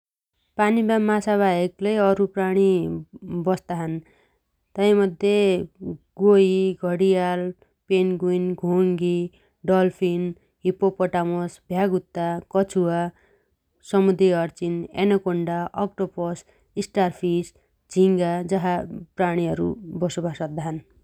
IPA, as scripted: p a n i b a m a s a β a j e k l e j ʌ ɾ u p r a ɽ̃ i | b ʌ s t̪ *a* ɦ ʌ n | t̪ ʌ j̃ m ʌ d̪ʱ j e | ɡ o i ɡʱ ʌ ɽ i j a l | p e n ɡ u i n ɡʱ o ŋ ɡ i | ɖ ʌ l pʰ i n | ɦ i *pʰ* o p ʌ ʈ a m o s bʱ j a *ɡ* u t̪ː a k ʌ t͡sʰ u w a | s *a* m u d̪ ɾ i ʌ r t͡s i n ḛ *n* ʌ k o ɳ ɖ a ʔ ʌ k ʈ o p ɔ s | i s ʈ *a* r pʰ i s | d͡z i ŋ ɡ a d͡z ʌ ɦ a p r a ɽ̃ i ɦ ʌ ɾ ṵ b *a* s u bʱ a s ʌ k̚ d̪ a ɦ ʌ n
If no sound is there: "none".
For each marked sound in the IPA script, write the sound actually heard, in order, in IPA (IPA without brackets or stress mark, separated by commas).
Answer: a, p, ɡ, ʌ, n, a, ʌ